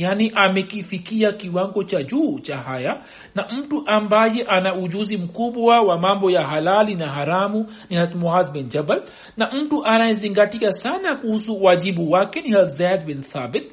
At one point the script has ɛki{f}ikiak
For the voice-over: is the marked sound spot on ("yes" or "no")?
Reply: yes